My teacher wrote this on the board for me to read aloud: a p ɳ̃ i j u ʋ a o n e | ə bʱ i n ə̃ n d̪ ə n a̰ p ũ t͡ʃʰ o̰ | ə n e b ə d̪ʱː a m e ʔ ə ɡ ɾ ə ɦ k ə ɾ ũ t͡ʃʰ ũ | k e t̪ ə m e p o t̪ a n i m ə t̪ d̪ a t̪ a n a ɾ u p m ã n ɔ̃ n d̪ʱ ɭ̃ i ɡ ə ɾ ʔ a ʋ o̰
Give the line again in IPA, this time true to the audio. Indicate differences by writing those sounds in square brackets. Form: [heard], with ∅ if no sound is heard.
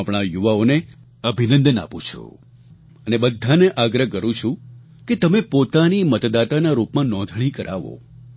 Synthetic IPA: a p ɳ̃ [a] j u ʋ a o n e | ə bʱ i n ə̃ n d̪ ə n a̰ p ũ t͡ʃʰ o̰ | ə n e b ə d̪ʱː a [n] e ʔ [a] ɡ ɾ ə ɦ k ə ɾ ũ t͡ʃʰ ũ | k e t̪ ə m e p o t̪ a n i m ə t̪ d̪ a t̪ a n a ɾ u p m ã n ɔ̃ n d̪ʱ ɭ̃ i [k] ə ɾ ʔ a ʋ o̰

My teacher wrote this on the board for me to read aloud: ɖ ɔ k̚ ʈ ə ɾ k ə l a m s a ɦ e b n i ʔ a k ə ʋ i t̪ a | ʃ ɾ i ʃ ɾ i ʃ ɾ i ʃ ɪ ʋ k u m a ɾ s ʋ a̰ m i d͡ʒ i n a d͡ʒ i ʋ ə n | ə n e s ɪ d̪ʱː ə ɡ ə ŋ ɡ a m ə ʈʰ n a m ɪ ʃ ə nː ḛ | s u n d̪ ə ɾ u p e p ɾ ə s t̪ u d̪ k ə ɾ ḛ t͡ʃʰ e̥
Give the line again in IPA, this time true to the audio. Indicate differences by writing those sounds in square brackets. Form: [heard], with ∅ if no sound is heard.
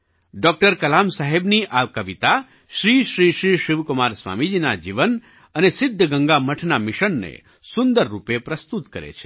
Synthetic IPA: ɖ ɔ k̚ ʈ ə ɾ k ə l a m s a ɦ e b n i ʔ a k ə ʋ i t̪ a | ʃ ɾ i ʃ ɾ i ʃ ɾ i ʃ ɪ ʋ k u m a ɾ s ʋ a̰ m i d͡ʒ i n a d͡ʒ i ʋ ə n | ə n e s ɪ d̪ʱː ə ɡ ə ŋ ɡ a m ə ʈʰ n a m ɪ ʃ ə nː ḛ | s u n d̪ ə [ɾː] u p e p ɾ ə s t̪ u [t̪] k ə ɾ ḛ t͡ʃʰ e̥

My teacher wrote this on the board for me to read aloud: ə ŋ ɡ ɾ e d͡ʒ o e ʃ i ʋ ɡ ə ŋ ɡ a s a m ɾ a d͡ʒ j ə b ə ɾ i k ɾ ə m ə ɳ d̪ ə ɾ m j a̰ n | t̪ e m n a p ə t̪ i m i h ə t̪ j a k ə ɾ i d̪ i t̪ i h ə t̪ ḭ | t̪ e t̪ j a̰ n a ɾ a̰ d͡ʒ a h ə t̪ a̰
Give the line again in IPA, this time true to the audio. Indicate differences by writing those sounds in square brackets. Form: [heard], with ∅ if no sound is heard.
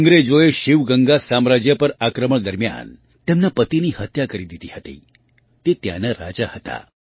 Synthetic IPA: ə ŋ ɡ ɾ e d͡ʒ o e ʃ i ʋ ɡ ə ŋ ɡ a s a m ɾ a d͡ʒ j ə [p] ə ɾ [a] k ɾ ə m ə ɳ d̪ ə ɾ m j a̰ n | t̪ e m n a p ə t̪ i [n] i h ə t̪ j a k ə ɾ i d̪ i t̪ i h ə t̪ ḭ | t̪ e t̪ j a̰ n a ɾ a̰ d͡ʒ a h ə t̪ a̰

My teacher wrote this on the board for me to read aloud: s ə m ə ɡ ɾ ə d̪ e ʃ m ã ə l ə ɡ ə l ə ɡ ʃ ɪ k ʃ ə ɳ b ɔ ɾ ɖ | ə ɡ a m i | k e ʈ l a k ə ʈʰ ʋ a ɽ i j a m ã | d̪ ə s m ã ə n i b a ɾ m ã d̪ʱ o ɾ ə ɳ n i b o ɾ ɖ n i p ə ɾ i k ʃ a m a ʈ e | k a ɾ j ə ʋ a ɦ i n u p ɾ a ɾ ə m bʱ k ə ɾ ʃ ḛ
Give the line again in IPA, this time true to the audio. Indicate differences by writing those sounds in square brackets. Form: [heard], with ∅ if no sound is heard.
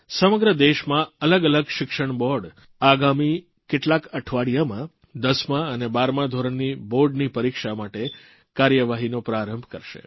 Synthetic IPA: s ə m ə ɡ ɾ ə d̪ e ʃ m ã ə l ə ɡ ə l ə ɡ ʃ ɪ k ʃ ə ɳ b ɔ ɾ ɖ | [a] ɡ a m i | k e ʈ l a k ə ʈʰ ʋ a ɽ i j a m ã | d̪ ə s m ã ə n [e] b a ɾ m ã d̪ʱ o ɾ ə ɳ n i b o ɾ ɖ n i p ə ɾ i k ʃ a m a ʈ e | k a ɾ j ə ʋ a ɦ i n [o] p ɾ a ɾ ə m bʱ k ə ɾ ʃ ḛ

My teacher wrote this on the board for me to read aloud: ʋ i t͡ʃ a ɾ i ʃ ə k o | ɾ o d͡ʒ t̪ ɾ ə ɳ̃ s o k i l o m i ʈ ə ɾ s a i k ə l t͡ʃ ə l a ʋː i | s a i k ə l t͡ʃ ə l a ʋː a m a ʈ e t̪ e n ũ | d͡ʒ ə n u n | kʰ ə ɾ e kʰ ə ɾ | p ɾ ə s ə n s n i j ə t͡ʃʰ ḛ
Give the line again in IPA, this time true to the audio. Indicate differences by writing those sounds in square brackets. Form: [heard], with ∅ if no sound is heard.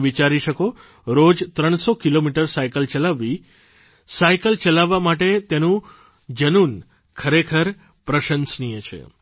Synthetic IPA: ʋ i t͡ʃ a ɾ i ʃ ə k o | ɾ o d͡ʒ t̪ ɾ ə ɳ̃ s o k i l o m i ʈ ə ɾ s a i k ə l t͡ʃ ə l a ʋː i | s a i k ə l t͡ʃ ə l a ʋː a m a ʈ e t̪ e n ũ | d͡ʒ ə n u n | kʰ ə ɾ e kʰ ə ɾ | p ɾ ə [ʃ] ə n s n i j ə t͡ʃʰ ḛ

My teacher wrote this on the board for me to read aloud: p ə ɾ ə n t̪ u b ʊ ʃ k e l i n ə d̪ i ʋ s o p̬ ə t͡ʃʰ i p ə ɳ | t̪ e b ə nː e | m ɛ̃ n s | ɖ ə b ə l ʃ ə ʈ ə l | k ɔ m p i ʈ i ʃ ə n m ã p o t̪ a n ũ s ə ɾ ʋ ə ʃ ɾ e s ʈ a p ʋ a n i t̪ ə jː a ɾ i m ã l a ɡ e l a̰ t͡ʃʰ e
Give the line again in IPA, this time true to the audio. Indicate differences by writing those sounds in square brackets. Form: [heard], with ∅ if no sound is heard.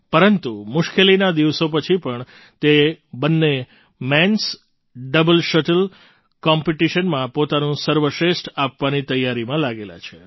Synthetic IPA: p ə ɾ ə n t̪ u [m] ʊ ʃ k e l i n [a] d̪ i ʋ s o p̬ ə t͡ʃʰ i p ə ɳ | t̪ e b ə nː e | m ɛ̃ n s | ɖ ə b ə l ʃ ə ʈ ə l | k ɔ m p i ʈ i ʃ ə n m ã p o t̪ a n ũ s ə ɾ ʋ ə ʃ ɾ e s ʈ a p ʋ a n i t̪ ə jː a ɾ i m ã l a ɡ e l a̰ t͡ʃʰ e

